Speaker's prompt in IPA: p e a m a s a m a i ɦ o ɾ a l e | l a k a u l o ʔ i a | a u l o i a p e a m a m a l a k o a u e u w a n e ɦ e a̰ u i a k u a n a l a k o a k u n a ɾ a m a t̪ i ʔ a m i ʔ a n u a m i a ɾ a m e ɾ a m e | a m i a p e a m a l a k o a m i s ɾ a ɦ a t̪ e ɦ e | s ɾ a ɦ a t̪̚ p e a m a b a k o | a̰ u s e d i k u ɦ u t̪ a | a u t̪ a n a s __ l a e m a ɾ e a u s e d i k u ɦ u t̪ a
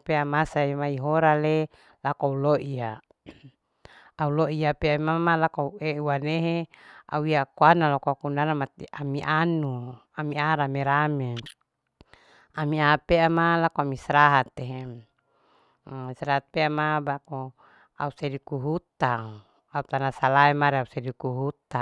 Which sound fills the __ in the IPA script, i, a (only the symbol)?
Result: a